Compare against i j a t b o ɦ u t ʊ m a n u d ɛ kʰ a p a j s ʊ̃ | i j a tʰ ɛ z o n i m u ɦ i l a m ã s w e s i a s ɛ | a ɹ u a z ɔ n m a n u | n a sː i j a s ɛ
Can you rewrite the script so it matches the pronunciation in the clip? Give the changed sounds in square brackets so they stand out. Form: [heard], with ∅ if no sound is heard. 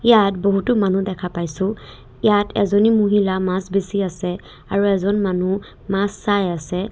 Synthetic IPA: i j a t b o ɦ u t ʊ m a n u d ɛ kʰ a p a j s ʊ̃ | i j a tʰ ɛ z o n i m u ɦ i l a m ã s [b] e s i a s ɛ | a ɹ u [ɛ] z ɔ n m a n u | [m] a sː [a] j a s ɛ